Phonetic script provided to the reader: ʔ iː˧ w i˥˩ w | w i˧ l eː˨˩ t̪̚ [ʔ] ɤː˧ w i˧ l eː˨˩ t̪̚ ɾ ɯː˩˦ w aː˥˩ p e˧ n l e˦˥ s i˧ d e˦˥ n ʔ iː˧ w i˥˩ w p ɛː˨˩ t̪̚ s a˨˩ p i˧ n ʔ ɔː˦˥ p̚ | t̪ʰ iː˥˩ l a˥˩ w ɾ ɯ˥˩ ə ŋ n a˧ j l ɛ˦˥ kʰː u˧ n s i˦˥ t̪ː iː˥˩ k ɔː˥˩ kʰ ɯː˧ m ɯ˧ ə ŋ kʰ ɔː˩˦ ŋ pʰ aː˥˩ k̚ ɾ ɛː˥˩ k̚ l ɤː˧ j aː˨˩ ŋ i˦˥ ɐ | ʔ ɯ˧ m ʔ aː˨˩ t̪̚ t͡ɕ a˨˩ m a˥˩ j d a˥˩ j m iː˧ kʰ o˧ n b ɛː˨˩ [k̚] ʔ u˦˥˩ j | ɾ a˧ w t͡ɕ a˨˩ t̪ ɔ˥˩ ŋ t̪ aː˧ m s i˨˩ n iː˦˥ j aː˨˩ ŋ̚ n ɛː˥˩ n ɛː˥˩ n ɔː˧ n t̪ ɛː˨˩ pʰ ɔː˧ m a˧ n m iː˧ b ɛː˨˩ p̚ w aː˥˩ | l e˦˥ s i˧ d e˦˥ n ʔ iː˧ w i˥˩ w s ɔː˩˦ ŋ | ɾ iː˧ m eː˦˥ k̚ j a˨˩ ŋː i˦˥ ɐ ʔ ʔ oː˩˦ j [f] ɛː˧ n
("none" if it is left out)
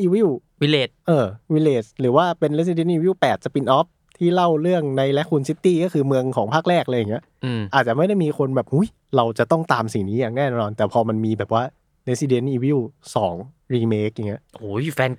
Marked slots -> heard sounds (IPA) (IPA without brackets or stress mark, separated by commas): ʔ, p̚, f